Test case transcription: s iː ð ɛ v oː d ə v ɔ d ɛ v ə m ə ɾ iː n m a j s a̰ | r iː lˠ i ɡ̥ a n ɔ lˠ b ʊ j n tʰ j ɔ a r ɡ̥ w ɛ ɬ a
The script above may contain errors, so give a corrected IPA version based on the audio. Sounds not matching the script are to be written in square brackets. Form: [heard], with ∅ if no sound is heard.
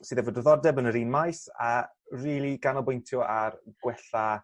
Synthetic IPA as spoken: s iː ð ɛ v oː d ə [ð] ɔ d ɛ [b] ə [n] ə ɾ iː n m a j s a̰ | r iː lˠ i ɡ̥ a n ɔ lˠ b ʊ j n tʰ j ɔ a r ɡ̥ w ɛ ɬ a